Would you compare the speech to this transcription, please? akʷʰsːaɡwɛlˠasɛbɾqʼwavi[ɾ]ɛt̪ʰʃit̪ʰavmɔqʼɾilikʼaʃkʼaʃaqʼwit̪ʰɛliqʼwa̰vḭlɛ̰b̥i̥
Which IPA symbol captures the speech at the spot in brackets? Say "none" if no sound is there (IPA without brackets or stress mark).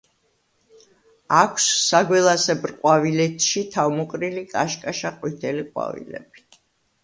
l